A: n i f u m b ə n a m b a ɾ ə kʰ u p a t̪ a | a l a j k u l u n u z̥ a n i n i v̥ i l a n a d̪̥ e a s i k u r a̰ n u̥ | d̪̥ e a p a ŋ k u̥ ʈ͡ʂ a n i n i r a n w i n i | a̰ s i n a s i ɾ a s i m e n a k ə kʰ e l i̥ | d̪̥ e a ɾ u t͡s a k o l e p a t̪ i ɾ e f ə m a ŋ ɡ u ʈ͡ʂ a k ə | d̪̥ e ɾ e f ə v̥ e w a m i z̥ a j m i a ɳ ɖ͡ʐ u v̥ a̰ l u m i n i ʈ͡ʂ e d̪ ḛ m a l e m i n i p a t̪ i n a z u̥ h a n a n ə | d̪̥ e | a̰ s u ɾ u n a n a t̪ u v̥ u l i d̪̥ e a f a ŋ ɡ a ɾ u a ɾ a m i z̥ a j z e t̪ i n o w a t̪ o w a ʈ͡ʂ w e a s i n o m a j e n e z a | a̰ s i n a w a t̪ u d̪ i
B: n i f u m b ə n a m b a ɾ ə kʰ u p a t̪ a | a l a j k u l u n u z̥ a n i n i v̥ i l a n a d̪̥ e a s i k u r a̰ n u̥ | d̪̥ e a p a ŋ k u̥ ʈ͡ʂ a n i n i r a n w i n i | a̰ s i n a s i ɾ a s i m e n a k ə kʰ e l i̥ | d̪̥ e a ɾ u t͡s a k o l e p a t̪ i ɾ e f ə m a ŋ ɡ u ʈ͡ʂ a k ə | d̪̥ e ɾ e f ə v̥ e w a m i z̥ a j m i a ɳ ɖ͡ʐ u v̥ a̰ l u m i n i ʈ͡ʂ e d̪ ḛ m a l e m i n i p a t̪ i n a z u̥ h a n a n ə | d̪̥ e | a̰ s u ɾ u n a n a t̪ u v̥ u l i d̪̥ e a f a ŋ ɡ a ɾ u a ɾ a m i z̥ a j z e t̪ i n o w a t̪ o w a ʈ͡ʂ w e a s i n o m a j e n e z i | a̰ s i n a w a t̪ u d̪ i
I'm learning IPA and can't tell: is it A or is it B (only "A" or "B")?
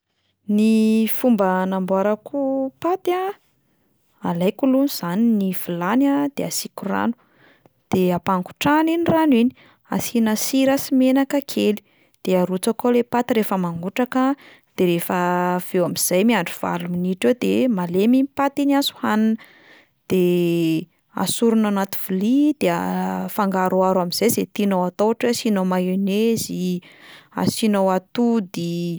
B